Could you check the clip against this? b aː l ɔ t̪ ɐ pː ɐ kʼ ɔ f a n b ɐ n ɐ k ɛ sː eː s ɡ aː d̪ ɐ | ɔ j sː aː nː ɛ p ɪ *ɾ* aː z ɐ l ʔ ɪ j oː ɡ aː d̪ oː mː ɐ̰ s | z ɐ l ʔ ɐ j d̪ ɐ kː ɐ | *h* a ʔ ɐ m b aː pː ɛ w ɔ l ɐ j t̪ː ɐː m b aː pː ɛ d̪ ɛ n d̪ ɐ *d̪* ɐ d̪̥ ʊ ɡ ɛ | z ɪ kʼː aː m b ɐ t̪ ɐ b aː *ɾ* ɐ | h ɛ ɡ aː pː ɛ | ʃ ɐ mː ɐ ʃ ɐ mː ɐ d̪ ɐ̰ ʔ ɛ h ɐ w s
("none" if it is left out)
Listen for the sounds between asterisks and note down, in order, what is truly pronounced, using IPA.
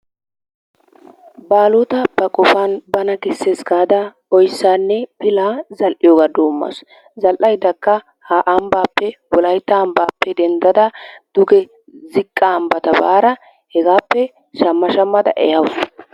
l, h, d̪, ɾ

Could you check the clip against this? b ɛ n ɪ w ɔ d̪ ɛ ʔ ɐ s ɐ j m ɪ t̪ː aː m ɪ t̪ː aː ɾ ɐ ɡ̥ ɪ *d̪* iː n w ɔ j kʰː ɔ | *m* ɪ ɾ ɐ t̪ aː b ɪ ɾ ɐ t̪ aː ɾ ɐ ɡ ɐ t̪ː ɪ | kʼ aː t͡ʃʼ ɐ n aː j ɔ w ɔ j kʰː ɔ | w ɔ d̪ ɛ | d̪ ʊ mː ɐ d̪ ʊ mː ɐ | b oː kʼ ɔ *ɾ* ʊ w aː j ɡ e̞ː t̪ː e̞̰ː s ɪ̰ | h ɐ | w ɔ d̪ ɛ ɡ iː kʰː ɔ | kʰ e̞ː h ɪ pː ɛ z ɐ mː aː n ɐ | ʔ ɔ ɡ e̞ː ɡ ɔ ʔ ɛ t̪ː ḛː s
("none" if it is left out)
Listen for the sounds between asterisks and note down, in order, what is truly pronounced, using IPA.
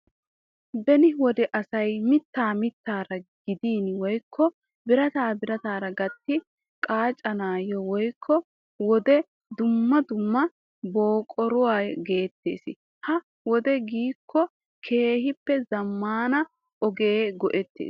d̪, b, ɾ

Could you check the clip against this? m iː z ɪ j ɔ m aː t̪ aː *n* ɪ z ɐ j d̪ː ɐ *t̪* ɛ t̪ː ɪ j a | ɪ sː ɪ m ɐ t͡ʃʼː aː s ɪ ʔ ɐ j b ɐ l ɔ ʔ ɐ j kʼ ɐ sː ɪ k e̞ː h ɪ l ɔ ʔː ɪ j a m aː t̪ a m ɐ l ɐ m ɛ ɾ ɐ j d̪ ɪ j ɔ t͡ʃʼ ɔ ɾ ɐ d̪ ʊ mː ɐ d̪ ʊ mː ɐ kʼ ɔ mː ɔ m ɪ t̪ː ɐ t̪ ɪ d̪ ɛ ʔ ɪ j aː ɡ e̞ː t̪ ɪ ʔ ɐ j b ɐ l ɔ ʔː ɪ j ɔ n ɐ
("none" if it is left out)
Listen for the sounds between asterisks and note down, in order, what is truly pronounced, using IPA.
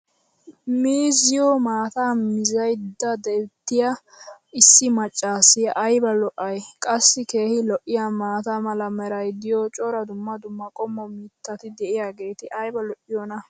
m, d̪

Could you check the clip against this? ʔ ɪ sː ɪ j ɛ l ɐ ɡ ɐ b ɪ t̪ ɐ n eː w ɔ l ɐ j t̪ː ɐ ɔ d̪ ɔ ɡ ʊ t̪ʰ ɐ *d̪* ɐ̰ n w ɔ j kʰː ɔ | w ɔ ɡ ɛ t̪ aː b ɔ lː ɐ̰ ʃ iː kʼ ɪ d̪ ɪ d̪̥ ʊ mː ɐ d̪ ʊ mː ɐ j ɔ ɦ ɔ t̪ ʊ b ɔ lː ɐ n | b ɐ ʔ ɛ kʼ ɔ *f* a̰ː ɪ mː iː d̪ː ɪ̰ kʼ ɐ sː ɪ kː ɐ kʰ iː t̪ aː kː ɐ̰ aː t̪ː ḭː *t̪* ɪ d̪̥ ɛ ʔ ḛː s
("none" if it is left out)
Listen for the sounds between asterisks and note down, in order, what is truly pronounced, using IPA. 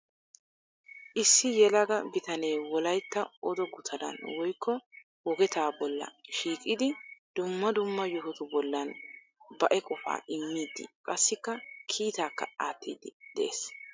d̪, f, d̪

